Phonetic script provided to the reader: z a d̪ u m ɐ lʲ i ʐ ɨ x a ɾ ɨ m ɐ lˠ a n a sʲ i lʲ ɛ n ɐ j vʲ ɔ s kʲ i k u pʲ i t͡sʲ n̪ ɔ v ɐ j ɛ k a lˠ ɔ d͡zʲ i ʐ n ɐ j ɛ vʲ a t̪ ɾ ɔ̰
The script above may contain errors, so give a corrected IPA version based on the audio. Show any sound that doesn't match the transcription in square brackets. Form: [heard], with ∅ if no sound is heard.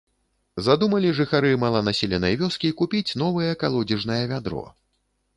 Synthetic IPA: z a d̪ u m ɐ lʲ i ʐ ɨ x a ɾ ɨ m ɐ lˠ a n a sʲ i lʲ ɛ n ɐ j vʲ ɔ s kʲ i k u pʲ i t͡sʲ n̪ ɔ v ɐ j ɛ k a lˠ ɔ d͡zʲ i ʐ n ɐ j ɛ vʲ a [d̪] ɾ ɔ̰